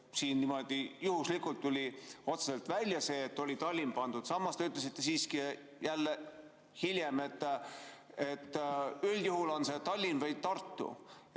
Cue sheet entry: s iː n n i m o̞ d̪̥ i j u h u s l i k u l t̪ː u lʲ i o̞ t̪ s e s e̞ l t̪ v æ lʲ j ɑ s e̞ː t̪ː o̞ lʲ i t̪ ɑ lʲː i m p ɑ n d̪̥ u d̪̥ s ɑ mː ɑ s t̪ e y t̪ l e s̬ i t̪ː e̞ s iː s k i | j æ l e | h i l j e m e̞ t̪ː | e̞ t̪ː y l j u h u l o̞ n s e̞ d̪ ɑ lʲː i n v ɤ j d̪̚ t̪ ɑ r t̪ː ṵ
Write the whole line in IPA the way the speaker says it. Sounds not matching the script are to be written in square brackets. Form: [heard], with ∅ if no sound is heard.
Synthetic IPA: s iː n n i m o̞ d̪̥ i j u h u s l i k u l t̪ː u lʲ i o̞ t̪ s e s e̞ l t̪ v æ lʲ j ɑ s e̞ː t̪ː o̞ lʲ i t̪ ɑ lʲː i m p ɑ n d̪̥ u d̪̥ s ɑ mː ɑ s t̪ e y t̪ l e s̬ i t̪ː e̞ s iː s k i | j æ [lː] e | h i l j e m e̞ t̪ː | e̞ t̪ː y l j u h u l o̞ n s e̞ [t̪] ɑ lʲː i n v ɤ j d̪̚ t̪ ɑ r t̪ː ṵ

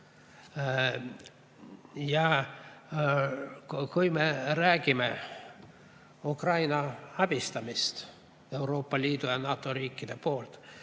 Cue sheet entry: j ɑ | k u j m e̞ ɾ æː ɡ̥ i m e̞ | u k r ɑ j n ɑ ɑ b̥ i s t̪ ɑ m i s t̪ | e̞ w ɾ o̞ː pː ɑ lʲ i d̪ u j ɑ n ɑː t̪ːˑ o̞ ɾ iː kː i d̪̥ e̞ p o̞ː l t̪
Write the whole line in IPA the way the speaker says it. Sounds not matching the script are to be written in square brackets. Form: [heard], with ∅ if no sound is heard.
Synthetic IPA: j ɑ | k u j m e̞ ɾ æː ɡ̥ i m e̞ | u k r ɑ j n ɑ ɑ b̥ i s t̪ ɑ m i s t̪ | e̞ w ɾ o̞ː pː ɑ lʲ [iː] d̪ u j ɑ n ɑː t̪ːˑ o̞ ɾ iː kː i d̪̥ e̞ p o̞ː l t̪

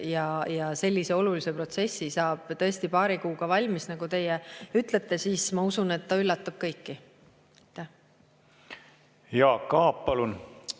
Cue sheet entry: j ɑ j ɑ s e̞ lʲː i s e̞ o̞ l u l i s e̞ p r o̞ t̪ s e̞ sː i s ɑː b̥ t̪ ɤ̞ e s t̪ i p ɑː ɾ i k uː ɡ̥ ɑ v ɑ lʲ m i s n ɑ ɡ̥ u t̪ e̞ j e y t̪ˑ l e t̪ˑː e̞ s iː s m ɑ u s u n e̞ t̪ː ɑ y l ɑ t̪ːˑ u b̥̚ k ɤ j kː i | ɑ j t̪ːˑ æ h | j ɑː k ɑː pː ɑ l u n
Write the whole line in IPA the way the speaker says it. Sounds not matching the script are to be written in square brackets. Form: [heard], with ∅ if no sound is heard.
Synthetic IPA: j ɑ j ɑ s e̞ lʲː i s e̞ o̞ l u l i s e̞ p r o̞ t̪ s e̞ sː i s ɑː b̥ t̪ ɤ̞ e s t̪ i p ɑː ɾ i k uː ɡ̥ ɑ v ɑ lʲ m i s n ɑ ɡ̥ u t̪ e̞ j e y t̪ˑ l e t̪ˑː e̞ s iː s m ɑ u s u n e̞ t̪ː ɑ y [lː] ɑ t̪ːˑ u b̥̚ k ɤ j kː i | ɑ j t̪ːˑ æ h | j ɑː k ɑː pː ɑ l u n

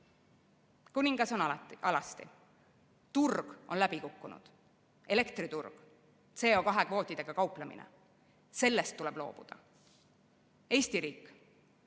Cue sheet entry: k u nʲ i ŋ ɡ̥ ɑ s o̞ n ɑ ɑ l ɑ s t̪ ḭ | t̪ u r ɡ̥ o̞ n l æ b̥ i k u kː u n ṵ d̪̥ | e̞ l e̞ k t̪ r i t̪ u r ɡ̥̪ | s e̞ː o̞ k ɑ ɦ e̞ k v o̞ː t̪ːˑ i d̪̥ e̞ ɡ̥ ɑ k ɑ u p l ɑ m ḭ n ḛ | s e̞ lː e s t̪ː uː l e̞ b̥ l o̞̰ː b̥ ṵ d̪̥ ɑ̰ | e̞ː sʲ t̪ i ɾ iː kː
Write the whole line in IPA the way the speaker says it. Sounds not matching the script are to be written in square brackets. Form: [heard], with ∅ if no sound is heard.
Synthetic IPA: k u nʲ i ŋ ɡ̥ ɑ s o̞ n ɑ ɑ l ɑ s t̪ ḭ | t̪ u r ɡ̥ o̞ n l æ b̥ i k u kː u n ṵ d̪̥ | e̞ l e̞ k t̪ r i t̪ u r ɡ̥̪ | s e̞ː o̞ k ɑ ɦ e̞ k v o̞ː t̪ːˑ i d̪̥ e̞ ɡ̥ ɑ k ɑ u p l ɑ m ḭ n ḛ | s e̞ lː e s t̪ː [u] l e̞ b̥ l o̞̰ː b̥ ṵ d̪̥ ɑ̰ | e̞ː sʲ t̪ i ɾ iː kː

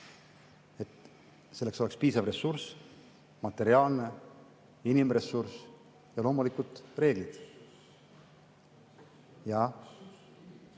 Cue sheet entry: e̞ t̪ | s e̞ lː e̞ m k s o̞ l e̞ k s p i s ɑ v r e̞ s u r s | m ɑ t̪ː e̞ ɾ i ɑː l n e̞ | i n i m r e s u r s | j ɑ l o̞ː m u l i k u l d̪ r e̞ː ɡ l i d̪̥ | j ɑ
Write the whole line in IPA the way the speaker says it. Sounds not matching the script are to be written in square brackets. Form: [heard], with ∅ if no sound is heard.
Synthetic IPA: e̞ t̪ | s e̞ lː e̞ [∅] k s o̞ l e̞ k s p [iː] s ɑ v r e̞ s u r s | m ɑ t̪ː e̞ ɾ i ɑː l n e̞ | i n i m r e s u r s | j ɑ l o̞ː m u l i k u l [t̪] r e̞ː ɡ l i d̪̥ | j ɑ

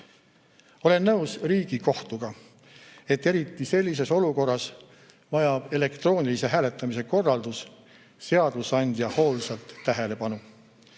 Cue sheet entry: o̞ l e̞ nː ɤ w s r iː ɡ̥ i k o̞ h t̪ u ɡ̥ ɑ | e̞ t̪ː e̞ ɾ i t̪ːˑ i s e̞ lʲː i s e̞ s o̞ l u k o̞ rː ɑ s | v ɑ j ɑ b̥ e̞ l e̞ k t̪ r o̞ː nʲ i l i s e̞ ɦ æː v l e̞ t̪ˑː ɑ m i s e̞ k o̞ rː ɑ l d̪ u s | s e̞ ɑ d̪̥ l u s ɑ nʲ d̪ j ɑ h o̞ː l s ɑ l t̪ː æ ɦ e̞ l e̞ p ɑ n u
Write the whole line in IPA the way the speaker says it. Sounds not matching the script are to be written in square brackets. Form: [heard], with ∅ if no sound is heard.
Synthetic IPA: o̞ l e̞ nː ɤ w s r iː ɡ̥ i k o̞ h t̪ u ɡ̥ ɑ | e̞ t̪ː e̞ ɾ i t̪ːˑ i s e̞ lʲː i s e̞ s o̞ l u k o̞ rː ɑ s | v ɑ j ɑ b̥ e̞ l e̞ k t̪ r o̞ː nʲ i l i s e̞ ɦ æː [∅] l e̞ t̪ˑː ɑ m i s e̞ k o̞ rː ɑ l d̪ u s | s e̞ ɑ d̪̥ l u s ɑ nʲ d̪ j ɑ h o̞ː l s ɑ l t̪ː æ ɦ e̞ l e̞ p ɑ n u

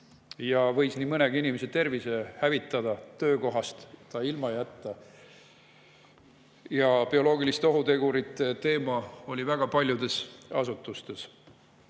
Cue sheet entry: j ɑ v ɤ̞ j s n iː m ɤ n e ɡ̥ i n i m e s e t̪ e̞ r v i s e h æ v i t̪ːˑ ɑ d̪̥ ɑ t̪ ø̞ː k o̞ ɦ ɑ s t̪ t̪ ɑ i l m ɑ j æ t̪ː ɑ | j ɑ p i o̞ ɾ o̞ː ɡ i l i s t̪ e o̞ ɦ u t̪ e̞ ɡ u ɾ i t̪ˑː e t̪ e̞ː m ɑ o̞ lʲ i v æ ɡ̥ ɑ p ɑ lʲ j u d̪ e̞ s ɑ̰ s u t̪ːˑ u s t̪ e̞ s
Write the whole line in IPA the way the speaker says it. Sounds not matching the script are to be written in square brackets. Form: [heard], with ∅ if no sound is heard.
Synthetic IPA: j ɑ v ɤ̞ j s n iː m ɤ n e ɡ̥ i n i m e s e t̪ e̞ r v i s e h æ v i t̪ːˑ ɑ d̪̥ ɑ t̪ ø̞ː k o̞ ɦ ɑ s t̪ t̪ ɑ i l m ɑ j æ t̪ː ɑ | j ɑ p i o̞ [l] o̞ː ɡ i l i s t̪ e o̞ ɦ u t̪ e̞ ɡ u ɾ i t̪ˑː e t̪ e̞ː m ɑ o̞ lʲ i v æ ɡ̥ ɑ p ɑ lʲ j u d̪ e̞ s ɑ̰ s u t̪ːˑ u s t̪ e̞ s

